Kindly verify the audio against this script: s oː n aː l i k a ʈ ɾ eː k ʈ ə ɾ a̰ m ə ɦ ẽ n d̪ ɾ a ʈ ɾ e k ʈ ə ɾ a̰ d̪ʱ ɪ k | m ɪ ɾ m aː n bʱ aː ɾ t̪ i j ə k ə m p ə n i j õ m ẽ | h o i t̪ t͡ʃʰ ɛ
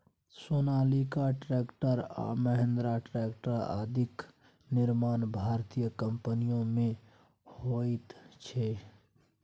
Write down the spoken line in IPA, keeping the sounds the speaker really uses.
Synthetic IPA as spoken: s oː n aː l i k a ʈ ɾ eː k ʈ ə ɾ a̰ m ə ɦ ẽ n d̪ ɾ a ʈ ɾ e k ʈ ə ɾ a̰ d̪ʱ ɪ k | n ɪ ɾ m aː n bʱ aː ɾ t̪ i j ə k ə m p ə n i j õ m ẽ | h o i t̪ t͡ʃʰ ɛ